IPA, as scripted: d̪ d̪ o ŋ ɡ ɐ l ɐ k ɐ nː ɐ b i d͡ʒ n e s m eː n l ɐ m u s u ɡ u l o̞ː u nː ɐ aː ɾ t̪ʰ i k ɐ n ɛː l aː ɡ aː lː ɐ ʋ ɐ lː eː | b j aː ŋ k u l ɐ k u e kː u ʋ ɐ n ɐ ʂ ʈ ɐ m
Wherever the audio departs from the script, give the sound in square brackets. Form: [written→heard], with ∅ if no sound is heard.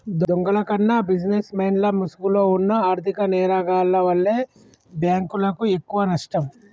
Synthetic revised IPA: d̪ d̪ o ŋ ɡ ɐ l ɐ k ɐ nː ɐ b i d͡ʒ n e s m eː n l ɐ m u s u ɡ u l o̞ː u nː ɐ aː ɾ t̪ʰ i k ɐ n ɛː [l→ɾ] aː ɡ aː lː ɐ ʋ ɐ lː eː | b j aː ŋ k u l ɐ k u e kː u ʋ ɐ n ɐ ʂ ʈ ɐ m